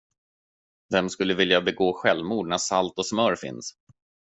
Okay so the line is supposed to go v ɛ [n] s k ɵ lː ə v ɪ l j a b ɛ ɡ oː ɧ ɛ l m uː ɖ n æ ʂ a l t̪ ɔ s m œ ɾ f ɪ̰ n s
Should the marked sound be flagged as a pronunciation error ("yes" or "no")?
yes